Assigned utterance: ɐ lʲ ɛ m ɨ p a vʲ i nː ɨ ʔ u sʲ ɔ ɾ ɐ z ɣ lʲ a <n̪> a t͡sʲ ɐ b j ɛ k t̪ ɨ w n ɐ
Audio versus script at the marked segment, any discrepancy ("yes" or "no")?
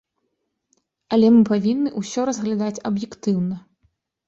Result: yes